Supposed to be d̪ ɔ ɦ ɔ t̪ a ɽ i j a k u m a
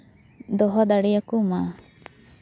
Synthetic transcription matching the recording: d̪ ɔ ɦ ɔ d̪ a ɽ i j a k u m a

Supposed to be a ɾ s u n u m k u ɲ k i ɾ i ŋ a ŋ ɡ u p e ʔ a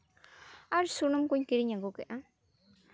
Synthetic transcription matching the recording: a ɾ s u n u m k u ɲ k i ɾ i ɲ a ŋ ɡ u k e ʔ a

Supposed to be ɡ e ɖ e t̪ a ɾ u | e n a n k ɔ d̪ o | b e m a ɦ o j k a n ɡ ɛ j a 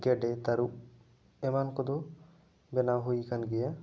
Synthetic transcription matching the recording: ɡ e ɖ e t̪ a ɾ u | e m a n k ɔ d̪ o | b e n a ɦ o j k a n ɡ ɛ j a

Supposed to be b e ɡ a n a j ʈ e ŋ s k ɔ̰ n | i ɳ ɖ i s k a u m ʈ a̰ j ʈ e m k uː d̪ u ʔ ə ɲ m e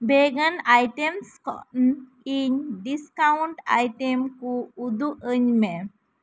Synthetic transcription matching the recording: b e ɡ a n a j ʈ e m s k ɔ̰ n | i ɲ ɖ i s k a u ɳ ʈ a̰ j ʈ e m k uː d̪ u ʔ ə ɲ m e

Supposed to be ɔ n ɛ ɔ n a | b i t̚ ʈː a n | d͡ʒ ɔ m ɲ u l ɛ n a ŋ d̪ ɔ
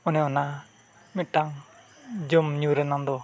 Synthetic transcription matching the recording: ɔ n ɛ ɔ n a | m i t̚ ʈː a ŋ | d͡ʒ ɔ m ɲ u ɾ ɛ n a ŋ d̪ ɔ

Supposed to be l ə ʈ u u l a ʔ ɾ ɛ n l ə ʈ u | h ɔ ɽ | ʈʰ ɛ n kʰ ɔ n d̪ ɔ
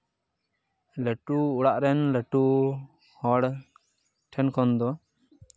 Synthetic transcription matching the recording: l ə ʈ u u ɽ a ʔ ɾ ɛ n l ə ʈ u | h ɔ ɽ | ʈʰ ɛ n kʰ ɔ n d̪ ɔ

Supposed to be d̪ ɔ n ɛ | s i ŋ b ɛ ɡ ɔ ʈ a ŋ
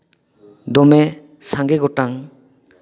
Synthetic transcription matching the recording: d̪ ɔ m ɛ | s a ŋ ɡ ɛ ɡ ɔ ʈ a ŋ

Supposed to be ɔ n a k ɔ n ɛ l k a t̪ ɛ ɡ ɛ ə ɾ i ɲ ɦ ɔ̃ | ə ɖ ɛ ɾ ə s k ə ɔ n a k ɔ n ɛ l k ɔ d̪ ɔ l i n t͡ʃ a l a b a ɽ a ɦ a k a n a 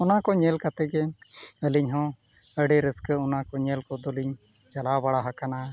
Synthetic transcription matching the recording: ɔ n a k ɔ ɲ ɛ l k a t̪ ɛ ɡ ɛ ə l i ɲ ɦ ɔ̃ | ə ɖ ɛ ɾ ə s k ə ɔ n a k ɔ ɲ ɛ l k ɔ d̪ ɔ l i ɲ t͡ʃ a l a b a ɽ a ɦ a k a n a

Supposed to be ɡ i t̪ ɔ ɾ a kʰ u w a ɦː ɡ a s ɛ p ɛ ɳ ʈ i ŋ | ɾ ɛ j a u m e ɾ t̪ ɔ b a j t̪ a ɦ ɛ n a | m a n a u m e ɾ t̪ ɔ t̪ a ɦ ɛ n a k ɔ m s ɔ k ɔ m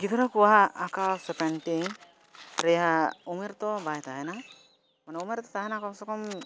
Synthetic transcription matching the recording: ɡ i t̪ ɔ ɾ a k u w a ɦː k a s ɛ p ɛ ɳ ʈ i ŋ | ɾ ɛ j a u m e ɾ t̪ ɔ b a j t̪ a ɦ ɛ n a | m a n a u m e ɾ t̪ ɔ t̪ a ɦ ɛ n a k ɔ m s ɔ k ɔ m

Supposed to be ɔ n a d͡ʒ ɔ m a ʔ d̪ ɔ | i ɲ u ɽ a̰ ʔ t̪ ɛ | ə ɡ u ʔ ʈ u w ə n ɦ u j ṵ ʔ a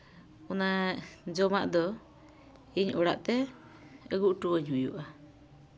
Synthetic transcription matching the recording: ɔ n a d͡ʒ ɔ m a ʔ d̪ ɔ | i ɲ ɔ ɽ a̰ ʔ t̪ ɛ | ə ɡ u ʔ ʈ u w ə ɲ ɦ u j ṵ ʔ a

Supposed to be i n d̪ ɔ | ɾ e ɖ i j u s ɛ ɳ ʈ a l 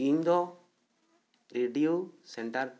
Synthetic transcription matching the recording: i ɲ d̪ ɔ | ɾ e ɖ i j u s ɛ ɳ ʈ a ɾ

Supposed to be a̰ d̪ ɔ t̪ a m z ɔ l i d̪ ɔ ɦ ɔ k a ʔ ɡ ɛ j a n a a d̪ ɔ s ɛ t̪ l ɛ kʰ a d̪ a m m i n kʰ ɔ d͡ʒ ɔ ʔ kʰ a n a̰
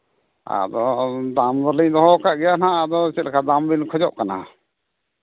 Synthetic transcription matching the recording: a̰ d̪ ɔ d̪ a m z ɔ l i d̪ ɔ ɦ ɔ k a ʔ ɡ ɛ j a n a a d̪ ɔ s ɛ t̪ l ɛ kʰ a d̪ a m b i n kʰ ɔ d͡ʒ ɔ ʔ k a n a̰

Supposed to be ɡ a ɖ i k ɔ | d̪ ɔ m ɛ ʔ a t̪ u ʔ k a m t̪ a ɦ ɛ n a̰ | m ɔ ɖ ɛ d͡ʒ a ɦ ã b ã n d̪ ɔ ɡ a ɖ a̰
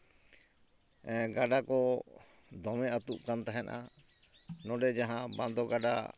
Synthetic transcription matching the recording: ɡ a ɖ a k ɔ | d̪ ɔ m ɛ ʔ a t̪ u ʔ k a n t̪ a ɦ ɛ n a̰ | n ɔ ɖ ɛ d͡ʒ a ɦ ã b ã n d̪ ɔ ɡ a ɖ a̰

